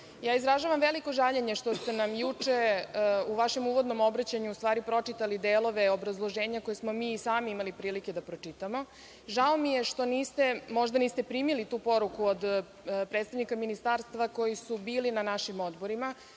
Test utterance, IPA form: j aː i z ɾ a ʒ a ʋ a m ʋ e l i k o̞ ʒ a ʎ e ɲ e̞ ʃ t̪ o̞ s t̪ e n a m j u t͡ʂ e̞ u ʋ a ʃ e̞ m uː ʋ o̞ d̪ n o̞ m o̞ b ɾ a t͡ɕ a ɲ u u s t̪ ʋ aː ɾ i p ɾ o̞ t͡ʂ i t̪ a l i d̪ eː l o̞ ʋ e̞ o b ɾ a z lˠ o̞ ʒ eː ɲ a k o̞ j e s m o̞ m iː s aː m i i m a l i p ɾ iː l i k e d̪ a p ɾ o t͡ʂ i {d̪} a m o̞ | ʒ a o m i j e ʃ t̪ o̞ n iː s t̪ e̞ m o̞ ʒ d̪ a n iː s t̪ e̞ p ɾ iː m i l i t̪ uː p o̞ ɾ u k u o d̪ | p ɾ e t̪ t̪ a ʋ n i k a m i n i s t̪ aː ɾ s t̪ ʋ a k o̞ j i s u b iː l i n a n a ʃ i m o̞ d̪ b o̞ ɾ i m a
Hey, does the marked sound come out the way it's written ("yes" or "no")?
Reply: no